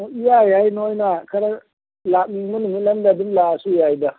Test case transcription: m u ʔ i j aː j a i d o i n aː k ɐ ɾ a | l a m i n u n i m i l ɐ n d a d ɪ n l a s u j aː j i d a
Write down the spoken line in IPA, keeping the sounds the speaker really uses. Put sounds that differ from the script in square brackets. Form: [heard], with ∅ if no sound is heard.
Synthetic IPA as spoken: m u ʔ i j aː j a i [n] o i n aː k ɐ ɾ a | l a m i [m] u n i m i l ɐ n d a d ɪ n l a s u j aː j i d a